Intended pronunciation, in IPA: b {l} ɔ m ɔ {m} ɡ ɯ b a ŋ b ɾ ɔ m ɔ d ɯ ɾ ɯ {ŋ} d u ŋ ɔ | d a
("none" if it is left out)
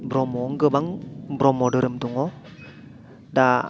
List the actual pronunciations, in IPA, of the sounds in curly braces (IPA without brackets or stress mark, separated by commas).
ɾ, ŋ, m